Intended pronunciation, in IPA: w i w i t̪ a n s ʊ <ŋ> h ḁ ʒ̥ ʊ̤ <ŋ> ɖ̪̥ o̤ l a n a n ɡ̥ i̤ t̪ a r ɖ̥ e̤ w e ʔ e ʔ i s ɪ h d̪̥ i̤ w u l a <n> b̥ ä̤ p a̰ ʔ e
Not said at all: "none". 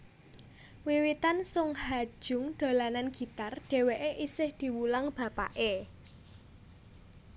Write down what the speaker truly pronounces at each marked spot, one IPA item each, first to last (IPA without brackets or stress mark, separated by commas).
ŋ, ŋ, ŋ